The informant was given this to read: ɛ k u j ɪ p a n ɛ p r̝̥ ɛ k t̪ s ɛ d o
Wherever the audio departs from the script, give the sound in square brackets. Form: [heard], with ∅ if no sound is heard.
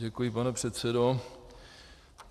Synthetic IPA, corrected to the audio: ɛ k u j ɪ p a n ɛ p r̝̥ ɛ [∅] t̪ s ɛ d o

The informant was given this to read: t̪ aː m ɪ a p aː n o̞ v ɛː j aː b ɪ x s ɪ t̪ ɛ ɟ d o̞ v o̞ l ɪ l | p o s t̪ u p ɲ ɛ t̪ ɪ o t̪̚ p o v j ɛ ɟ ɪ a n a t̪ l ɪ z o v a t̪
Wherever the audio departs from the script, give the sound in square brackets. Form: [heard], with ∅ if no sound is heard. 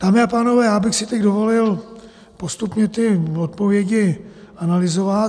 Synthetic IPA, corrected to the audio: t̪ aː m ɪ a p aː n o̞ v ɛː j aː b ɪ x s ɪ t̪ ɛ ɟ d o̞ v o̞ l ɪ l | p o s t̪ u p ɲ ɛ t̪ ɪ o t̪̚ p o v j ɛ ɟ ɪ a n a [∅] l ɪ z o v a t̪

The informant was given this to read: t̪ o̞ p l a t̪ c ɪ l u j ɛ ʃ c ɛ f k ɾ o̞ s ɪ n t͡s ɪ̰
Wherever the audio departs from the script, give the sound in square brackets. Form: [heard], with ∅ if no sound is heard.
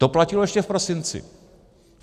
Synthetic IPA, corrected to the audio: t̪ o̞ p l a [∅] c ɪ l [o] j ɛ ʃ c ɛ f [p] ɾ o̞ s ɪ n t͡s ɪ̰

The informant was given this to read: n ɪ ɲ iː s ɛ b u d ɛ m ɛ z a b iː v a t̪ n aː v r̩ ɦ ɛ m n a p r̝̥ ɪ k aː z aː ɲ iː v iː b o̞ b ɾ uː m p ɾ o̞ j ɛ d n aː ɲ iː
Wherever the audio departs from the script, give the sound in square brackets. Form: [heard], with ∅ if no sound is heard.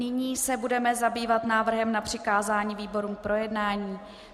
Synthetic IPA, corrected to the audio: n ɪ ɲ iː s ɛ b u d ɛ m ɛ z a b iː v a t̪ n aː v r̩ ɦ ɛ m n a p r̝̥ ɪ k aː z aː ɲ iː v iː b o̞ [∅] ɾ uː m p ɾ o̞ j ɛ d n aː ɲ iː

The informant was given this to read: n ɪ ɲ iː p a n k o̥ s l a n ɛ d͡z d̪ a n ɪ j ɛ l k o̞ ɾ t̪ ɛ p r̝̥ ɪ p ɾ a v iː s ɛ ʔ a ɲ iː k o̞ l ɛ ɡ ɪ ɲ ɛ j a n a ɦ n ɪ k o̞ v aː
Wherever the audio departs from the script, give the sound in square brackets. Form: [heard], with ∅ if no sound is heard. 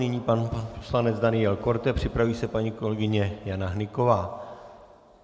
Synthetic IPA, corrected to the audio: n ɪ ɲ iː p a n [p] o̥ s l a n ɛ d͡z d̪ a n ɪ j ɛ l k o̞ ɾ t̪ ɛ p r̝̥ ɪ p ɾ a v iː s ɛ [p] a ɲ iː k o̞ l ɛ ɡ ɪ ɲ ɛ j a n a ɦ n ɪ k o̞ v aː

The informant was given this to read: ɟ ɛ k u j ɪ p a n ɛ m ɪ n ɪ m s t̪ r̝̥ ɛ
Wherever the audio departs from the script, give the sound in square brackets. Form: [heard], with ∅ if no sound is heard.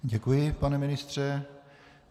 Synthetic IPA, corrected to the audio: ɟ ɛ k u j ɪ p a n ɛ m ɪ n ɪ [∅] s t̪ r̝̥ ɛ

